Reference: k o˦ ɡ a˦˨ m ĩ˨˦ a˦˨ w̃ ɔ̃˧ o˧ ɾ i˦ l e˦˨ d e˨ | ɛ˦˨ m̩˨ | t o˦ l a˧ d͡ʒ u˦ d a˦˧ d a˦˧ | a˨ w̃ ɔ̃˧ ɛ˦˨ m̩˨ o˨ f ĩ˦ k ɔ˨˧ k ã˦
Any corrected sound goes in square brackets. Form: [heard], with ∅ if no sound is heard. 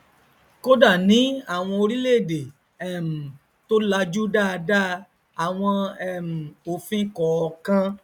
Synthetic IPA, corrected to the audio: k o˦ [d] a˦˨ [n] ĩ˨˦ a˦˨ w̃ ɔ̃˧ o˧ ɾ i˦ l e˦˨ d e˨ | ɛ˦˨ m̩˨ | t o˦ l a˧ d͡ʒ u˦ d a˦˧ d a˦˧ | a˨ w̃ ɔ̃˧ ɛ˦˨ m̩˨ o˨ f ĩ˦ k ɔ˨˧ k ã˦